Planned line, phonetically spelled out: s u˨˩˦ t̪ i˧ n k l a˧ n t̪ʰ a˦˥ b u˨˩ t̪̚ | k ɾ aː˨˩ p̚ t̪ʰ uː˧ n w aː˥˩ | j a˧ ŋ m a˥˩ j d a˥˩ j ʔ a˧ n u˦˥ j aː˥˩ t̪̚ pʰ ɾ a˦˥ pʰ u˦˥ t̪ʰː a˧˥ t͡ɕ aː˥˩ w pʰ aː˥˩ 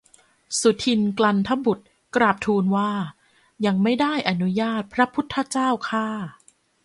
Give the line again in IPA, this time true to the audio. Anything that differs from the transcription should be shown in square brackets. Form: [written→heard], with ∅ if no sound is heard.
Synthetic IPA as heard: s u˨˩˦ [t̪→t̪ʰ] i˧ n k l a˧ n t̪ʰ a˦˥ b u˨˩ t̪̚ | k ɾ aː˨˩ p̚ t̪ʰ uː˧ n w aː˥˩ | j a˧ ŋ m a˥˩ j d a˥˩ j ʔ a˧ n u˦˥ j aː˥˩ t̪̚ pʰ ɾ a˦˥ pʰ u˦˥ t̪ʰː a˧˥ t͡ɕ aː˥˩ w [pʰ→kʰ] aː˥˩